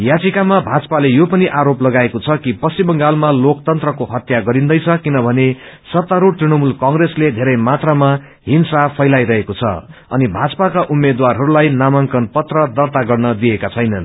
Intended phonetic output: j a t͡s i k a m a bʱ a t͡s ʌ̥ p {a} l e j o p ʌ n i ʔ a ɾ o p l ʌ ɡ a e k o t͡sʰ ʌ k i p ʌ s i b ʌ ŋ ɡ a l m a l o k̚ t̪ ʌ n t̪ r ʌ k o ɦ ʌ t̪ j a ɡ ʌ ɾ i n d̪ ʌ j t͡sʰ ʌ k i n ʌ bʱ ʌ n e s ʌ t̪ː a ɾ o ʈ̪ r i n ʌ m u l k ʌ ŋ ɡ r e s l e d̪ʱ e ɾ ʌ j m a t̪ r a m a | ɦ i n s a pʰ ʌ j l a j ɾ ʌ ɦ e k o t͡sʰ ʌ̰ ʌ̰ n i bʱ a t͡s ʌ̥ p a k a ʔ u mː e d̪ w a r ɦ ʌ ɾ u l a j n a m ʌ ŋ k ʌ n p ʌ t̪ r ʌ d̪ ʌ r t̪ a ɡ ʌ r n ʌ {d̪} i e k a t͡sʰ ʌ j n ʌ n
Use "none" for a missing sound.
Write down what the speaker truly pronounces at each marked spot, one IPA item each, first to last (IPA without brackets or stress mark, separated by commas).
a, d̪